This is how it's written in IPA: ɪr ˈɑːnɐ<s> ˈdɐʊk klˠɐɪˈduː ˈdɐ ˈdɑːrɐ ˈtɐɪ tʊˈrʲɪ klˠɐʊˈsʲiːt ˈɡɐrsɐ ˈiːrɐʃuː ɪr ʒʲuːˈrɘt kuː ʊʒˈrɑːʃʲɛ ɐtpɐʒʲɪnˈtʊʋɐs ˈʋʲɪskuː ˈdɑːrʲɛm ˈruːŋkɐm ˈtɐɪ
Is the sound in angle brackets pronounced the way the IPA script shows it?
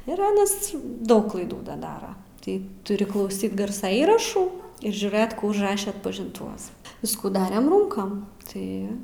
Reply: yes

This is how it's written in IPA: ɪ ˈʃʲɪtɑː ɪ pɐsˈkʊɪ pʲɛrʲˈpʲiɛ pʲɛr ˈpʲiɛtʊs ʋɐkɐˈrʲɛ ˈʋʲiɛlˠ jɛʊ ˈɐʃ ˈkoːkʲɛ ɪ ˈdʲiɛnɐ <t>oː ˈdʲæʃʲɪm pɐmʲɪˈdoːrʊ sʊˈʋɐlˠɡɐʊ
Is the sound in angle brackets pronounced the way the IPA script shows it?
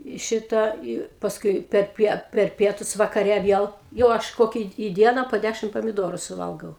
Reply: no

